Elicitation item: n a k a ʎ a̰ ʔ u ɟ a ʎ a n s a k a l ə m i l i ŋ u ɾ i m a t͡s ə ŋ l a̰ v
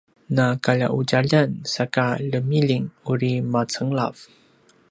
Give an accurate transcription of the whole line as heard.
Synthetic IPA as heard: n a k a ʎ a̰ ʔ u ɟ a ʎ a n s a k a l ə m i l i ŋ u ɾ i m a t͡s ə ŋ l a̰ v